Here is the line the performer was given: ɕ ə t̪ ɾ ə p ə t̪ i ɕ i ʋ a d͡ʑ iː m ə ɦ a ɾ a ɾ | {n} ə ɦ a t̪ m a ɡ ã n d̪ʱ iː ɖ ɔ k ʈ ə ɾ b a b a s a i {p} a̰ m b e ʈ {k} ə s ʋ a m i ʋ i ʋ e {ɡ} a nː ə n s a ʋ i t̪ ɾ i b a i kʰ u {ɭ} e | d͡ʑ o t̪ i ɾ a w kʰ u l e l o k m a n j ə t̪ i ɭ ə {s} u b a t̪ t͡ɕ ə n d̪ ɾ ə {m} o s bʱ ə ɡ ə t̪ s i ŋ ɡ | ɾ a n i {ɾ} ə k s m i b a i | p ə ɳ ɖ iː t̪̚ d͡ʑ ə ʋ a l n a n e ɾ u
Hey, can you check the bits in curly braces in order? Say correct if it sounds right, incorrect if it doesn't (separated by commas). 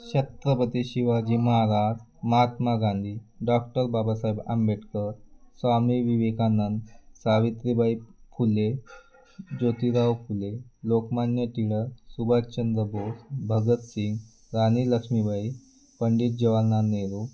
incorrect, incorrect, correct, incorrect, incorrect, correct, incorrect, incorrect